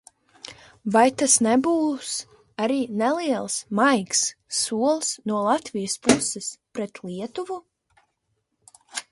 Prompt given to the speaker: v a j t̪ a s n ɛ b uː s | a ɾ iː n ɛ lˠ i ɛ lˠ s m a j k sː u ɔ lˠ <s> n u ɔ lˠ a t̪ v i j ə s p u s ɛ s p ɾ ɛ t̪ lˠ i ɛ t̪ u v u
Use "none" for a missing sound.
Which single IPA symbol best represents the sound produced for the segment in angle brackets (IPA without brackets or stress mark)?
s